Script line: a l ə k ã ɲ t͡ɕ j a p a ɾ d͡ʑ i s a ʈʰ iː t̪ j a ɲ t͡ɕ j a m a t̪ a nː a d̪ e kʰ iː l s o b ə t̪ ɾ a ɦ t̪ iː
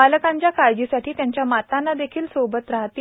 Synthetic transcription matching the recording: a l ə k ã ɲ t͡ɕ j a k a ɾ d͡ʑ i s a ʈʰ iː t̪ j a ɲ t͡ɕ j a m a t̪ a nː a d̪ e kʰ iː l s o b ə t̪ ɾ a ɦ t̪ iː

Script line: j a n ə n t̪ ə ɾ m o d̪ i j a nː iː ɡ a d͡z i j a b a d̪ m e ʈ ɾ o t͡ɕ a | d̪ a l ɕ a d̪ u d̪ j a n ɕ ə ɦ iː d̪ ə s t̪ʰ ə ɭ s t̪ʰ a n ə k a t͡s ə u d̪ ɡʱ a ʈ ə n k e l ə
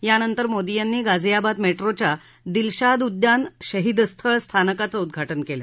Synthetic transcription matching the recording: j a n ə n t̪ ə ɾ m o d̪ i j a nː iː ɡ a d͡z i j a b a d̪ m e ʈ ɾ o t͡ɕ a | d̪ i l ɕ a d̪ u d̪ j a n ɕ ə ɦ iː d̪ ə s t̪ʰ ə ɭ s t̪ʰ a n ə k a t͡s ə u d̪ ɡʱ a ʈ ə n k e l ə

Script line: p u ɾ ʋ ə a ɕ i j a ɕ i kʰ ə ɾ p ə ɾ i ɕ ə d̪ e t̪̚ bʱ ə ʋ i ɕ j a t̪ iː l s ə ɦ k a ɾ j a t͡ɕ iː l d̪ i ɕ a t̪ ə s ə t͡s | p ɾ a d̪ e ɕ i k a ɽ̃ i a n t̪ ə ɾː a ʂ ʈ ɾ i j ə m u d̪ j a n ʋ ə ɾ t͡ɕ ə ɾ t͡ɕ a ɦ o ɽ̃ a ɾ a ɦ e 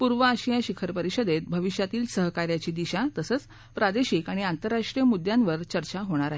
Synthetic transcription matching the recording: p u ɾ ʋ ə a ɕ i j a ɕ i kʰ ə ɾ p ə ɾ i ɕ ə d̪ e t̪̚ bʱ ə ʋ i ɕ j a t̪ iː l s ə ɦ k a ɾ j a t͡ɕ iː d̪ i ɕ a t̪ ə s ə t͡s | p ɾ a d̪ e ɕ i k a ɽ̃ i a n t̪ ə ɾː a ʂ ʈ ɾ i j ə m u d̪ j a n ʋ ə ɾ t͡ɕ ə ɾ t͡ɕ a ɦ o ɽ̃ a ɾ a ɦ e

